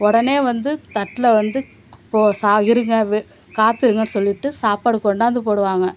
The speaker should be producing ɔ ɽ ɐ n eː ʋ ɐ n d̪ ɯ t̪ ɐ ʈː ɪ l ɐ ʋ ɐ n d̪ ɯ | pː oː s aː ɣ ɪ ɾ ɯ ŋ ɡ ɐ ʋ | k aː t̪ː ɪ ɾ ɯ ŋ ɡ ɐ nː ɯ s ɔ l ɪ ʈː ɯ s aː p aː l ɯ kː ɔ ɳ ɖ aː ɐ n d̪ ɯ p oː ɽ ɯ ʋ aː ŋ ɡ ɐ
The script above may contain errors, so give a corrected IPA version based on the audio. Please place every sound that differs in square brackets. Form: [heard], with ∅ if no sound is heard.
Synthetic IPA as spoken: ɔ ɽ ɐ n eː ʋ ɐ n d̪ ɯ t̪ ɐ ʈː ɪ l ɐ ʋ ɐ n d̪ ɯ | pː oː s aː ɣ ɪ ɾ ɯ ŋ ɡ ɐ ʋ | k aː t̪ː ɪ ɾ ɯ ŋ ɡ ɐ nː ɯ s ɔ [lː] ɪ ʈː ɯ s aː p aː [ɽ] ɯ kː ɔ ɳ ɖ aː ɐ n d̪ ɯ p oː ɽ ɯ ʋ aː ŋ ɡ ɐ